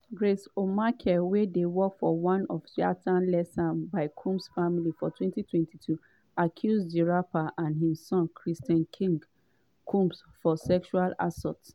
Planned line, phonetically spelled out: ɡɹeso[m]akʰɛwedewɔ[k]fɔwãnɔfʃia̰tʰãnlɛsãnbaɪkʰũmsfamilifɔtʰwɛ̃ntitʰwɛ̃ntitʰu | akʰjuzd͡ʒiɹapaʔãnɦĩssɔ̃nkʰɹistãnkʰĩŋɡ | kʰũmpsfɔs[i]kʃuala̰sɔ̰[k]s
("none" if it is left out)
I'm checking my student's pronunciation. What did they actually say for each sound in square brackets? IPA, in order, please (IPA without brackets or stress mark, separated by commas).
m, k, ɛ, t